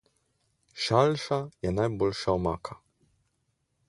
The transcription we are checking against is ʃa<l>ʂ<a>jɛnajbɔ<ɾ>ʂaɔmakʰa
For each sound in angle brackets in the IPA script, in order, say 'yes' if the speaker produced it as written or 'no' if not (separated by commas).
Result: yes, yes, no